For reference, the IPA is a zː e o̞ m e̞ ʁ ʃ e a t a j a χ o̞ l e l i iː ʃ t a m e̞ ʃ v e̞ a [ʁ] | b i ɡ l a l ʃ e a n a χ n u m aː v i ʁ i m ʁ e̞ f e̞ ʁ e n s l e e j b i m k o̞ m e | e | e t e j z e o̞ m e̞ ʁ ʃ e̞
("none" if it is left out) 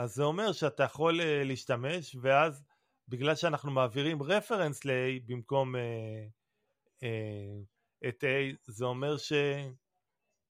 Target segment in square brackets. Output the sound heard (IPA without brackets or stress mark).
z